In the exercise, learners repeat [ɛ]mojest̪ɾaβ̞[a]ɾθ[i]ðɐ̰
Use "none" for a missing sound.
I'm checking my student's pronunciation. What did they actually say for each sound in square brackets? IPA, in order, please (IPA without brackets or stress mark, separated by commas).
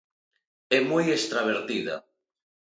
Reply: ɛ, e, i